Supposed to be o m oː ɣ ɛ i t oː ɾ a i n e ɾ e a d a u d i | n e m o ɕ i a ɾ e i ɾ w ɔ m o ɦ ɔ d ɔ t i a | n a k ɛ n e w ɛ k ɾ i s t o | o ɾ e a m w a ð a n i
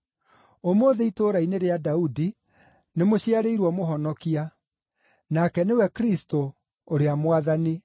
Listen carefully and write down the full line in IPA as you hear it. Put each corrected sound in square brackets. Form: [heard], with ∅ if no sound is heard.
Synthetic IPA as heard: o m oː [ð] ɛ i t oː ɾ a i n e ɾ e a d a u d i | n e m o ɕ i a ɾ e i ɾ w ɔ m o ɦ ɔ [n] ɔ [k] i a | n a k ɛ n e w ɛ k ɾ i s t o | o ɾ e a m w a ð a n i